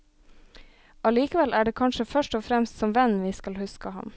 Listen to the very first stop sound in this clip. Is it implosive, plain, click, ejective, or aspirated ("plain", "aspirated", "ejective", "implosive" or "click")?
plain